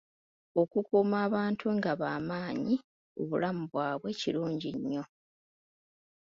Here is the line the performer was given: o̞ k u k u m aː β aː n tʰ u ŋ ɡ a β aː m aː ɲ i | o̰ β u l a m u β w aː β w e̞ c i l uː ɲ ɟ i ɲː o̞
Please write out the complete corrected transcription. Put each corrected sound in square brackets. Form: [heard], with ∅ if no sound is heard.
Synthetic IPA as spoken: o̞ k u k u m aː β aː n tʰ u ŋ ɡ a β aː m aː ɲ i | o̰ β u l a m u β w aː β w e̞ c i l uː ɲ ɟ i ɲː o̞

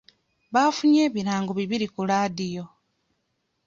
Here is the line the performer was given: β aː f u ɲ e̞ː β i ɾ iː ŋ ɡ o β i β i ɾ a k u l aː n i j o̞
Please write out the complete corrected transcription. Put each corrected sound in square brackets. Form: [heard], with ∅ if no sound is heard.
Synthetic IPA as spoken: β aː f u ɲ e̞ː β i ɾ [aː] ŋ ɡ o β i β i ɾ [i] k u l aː [d] i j o̞

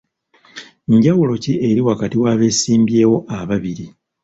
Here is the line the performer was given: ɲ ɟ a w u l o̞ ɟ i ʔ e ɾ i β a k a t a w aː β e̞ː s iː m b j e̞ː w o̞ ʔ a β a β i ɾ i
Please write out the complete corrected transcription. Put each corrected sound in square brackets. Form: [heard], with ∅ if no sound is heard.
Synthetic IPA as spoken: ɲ ɟ a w u l o̞ [c] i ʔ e ɾ i [w] a k a t [i] w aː β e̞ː s iː m b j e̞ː w o̞ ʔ a β a β i ɾ i

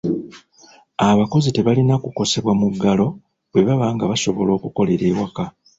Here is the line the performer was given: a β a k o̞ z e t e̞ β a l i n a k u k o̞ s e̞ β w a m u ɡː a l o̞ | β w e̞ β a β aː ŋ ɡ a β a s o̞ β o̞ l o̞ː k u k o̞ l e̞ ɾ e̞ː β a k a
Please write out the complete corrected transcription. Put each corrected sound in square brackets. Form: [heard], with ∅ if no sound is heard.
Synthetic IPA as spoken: a β a k o̞ z [i] t e̞ β a l i n a k u k o̞ s e̞ β w a m u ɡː a l o̞ | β w e̞ β a β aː ŋ ɡ a β a s o̞ β o̞ l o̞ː k u k o̞ l e̞ ɾ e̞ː [w] a k a

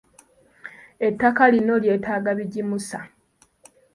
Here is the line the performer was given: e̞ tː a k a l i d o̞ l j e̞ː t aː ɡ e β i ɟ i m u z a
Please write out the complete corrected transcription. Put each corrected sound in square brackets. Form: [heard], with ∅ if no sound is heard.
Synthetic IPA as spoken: e̞ tː a k a l i [n] o̞ l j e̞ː t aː ɡ [a] β i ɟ i m u [s] a

